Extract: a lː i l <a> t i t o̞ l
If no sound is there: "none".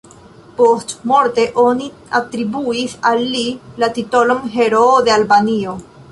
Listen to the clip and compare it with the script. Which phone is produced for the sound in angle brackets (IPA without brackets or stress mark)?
a